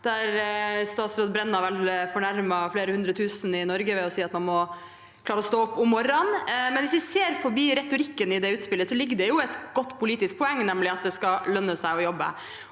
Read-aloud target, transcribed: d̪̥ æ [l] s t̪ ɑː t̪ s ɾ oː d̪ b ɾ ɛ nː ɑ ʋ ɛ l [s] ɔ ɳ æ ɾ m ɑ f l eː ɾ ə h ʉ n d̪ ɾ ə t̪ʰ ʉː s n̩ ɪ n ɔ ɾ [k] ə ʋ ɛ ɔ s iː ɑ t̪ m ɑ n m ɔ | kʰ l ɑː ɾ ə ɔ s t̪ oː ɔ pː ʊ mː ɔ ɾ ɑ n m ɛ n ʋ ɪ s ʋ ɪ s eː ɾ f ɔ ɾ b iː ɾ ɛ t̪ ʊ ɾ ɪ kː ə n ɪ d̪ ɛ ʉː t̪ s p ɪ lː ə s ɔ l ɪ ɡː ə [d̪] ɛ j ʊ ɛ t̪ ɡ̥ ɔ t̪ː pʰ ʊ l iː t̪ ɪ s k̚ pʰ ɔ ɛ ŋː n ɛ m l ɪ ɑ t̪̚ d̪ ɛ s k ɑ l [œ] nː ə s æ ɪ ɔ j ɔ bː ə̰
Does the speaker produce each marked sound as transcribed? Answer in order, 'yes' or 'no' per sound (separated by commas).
no, no, no, yes, yes